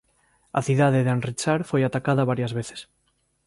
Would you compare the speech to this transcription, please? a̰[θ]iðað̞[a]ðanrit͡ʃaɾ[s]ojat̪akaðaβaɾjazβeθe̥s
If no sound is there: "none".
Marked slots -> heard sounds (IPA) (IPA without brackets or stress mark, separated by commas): θ, e, f